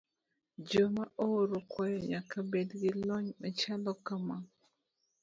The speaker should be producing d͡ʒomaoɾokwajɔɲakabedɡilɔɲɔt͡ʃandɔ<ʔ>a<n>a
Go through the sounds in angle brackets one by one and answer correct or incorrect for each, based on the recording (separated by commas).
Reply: incorrect, incorrect